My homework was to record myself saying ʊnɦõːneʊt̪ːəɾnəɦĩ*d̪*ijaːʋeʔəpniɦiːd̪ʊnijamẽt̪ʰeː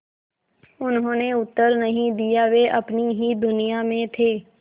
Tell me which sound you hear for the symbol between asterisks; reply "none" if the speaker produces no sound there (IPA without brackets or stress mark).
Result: d̪